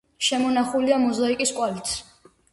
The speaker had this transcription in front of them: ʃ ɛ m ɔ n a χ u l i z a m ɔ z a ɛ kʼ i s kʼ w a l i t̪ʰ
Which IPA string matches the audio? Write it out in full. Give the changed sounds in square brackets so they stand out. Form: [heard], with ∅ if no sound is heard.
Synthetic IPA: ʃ ɛ m ɔ n a χ u l i [∅] a m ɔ z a [i] kʼ i s kʼ w a l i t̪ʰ